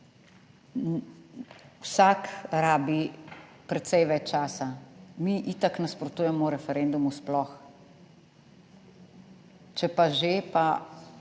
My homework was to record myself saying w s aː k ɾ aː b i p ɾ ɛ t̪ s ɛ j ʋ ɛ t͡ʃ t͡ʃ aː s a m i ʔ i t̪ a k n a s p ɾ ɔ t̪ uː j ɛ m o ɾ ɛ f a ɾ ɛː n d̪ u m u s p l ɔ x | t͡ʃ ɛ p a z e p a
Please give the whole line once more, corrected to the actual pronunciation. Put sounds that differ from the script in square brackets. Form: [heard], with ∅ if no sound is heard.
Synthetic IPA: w s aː k ɾ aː b i p ɾ ɛ t̪ s ɛ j ʋ ɛ t͡ʃ t͡ʃ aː s a m i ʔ i t̪ a k n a s p ɾ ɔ t̪ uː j ɛ m [ɔ] ɾ ɛ f [ɛ] ɾ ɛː n d̪ u m u s p l ɔ x | t͡ʃ ɛ p a [ʒ] e p a

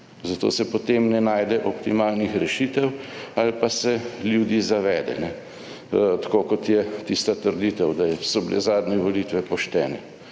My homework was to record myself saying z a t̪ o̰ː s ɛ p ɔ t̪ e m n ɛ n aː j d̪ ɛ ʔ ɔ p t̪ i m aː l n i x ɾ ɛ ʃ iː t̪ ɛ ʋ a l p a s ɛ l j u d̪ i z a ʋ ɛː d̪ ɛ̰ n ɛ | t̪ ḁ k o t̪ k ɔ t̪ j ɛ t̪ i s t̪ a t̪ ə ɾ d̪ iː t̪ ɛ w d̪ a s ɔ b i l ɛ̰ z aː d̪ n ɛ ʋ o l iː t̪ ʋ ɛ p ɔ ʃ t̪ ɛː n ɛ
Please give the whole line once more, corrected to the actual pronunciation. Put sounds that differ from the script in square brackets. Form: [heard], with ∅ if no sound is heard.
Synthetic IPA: z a t̪ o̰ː s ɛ p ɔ t̪ e m n ɛ n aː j d̪ ɛ ʔ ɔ p t̪ i m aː l n i x ɾ ɛ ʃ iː t̪ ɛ [w] a l p a s ɛ l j u d̪ i z a ʋ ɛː d̪ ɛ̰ n ɛ | t̪ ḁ k o [∅] k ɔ t̪ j ɛ t̪ i s t̪ a t̪ ə ɾ d̪ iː t̪ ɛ w d̪ a s ɔ b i l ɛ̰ z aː d̪ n ɛ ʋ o l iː t̪ ʋ ɛ p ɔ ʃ t̪ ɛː n ɛ

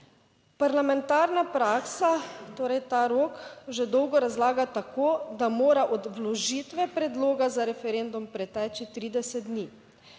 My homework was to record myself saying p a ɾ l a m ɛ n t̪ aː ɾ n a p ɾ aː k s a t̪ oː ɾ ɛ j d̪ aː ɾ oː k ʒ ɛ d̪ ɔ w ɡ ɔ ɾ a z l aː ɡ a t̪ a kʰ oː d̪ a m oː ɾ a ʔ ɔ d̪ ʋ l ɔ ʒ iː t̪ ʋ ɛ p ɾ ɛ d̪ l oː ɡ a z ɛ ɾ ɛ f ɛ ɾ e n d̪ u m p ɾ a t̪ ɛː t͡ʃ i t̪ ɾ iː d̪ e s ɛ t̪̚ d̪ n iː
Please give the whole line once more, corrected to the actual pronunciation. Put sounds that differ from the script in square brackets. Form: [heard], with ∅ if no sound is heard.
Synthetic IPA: p a ɾ l a m ɛ n t̪ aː ɾ n a p ɾ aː k s a t̪ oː ɾ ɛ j [t̪] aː ɾ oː k ʒ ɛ d̪ ɔ w ɡ ɔ ɾ a z l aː ɡ a t̪ a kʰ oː d̪ a m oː ɾ a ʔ ɔ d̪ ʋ l ɔ ʒ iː t̪ ʋ ɛ p ɾ ɛ d̪ l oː ɡ a z [a] ɾ ɛ f ɛ ɾ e n d̪ u m p ɾ [ɛ] t̪ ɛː t͡ʃ i t̪ ɾ iː d̪ [ɛ] s ɛ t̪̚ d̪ n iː

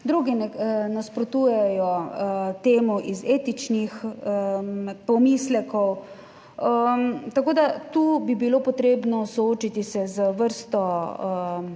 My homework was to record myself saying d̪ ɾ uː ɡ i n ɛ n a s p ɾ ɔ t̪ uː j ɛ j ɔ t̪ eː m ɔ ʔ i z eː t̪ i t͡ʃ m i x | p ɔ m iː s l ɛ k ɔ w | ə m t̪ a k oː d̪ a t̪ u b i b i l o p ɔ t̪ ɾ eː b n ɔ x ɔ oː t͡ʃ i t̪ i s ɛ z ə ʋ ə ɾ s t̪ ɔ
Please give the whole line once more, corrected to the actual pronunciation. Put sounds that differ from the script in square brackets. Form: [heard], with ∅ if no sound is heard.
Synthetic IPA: d̪ ɾ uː ɡ i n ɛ n a s p ɾ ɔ t̪ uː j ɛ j ɔ t̪ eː m ɔ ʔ i z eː t̪ i t͡ʃ [n] i x | p ɔ m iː s l ɛ k ɔ w | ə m t̪ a k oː d̪ a t̪ u b i b i l o p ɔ t̪ ɾ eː b n ɔ [s] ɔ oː t͡ʃ i t̪ i s ɛ z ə ʋ ə ɾ s t̪ ɔ

